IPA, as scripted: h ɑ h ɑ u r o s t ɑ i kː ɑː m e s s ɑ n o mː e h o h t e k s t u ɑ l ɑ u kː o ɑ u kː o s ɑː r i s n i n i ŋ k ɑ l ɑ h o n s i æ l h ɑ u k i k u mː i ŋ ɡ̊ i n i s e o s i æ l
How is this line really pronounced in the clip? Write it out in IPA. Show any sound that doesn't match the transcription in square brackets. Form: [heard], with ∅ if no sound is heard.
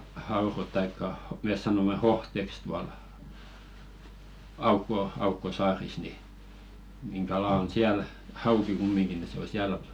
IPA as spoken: h ɑ h ɑ u r o [t] t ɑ i kː [ɑ] m e s s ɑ n o mː e h o h t e k s t u ɑ l ɑ u kː o ɑ u kː o s ɑː r i s n i n i ŋ k ɑ l ɑ [∅] o n s i æ l h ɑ u k i k u mː i ŋ ɡ̊ i n i s e o s i æ l